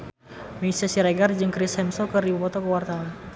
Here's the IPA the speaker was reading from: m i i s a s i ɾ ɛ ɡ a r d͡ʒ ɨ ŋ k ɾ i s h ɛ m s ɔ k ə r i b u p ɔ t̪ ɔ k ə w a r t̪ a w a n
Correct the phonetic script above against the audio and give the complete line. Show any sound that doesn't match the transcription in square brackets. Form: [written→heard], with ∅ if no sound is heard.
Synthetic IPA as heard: m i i s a s i ɾ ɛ ɡ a r d͡ʒ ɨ ŋ k ɾ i s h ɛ m s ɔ k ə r i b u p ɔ t̪ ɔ k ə w a r t̪ a w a n